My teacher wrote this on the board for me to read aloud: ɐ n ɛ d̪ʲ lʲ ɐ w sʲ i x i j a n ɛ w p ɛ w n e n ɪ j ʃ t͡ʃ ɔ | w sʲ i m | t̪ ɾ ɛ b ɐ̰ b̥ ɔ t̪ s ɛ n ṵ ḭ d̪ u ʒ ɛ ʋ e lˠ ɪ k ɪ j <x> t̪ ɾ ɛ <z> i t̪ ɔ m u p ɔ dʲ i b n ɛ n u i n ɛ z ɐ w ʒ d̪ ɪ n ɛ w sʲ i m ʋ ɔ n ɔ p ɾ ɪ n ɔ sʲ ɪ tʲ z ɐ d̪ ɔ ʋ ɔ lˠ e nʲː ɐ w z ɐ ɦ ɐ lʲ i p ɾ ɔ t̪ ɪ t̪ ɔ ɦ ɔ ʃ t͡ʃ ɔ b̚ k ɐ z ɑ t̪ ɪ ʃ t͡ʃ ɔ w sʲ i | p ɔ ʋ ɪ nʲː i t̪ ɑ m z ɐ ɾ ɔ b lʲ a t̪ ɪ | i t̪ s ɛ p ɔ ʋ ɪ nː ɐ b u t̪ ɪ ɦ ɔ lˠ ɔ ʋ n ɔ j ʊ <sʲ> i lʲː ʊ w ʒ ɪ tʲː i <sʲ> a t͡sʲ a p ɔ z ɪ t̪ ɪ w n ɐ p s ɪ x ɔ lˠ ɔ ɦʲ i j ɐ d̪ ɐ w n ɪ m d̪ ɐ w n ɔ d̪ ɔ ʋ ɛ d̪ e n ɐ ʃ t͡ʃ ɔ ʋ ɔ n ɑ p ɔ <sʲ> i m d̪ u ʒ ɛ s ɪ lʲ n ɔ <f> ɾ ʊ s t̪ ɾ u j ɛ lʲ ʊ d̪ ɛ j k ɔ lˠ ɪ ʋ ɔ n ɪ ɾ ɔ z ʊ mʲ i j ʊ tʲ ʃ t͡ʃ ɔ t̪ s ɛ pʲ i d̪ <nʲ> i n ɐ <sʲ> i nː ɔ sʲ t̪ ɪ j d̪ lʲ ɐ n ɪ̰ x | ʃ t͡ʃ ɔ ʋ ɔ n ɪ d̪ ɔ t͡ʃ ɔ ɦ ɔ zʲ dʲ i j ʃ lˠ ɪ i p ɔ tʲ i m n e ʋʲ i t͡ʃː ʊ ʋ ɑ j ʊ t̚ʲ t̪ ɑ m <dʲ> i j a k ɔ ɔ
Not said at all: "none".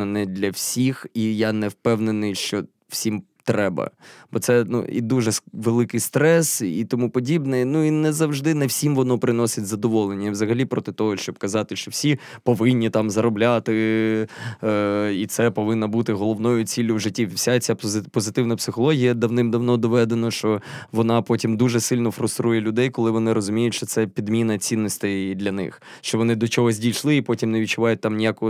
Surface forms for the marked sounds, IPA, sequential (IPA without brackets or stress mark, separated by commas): s, s, t͡sʲ, sʲ, tʲ, f, mʲ, t͡sʲ, nʲ